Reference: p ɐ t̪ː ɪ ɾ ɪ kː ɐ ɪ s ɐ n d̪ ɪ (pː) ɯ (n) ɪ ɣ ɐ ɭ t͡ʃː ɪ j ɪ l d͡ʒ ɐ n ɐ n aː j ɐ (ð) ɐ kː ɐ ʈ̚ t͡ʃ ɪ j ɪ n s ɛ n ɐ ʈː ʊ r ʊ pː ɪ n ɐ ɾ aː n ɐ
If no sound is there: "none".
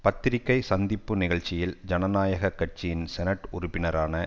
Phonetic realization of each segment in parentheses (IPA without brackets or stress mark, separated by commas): pː, n, ɣ